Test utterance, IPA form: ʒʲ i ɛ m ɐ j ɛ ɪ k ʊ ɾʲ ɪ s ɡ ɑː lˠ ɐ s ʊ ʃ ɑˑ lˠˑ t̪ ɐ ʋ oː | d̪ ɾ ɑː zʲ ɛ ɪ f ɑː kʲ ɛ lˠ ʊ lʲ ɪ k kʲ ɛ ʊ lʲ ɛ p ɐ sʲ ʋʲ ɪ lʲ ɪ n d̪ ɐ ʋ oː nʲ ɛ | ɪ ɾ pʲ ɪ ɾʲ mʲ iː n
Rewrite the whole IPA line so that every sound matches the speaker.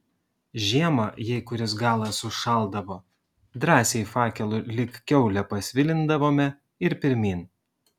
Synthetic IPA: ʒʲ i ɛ m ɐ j ɛ ɪ k ʊ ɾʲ ɪ s ɡ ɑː lˠ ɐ s ʊ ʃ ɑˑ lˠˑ d̪ ɐ ʋ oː | d̪ ɾ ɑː sʲ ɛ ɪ f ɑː kʲ ɛ lˠ ʊ lʲ ɪ k kʲ ɛ ʊ lʲ ɛ p ɐ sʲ ʋʲ ɪ lʲ ɪ n d̪ ɐ ʋ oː mʲ ɛ | ɪ ɾ pʲ ɪ ɾʲ mʲ iː n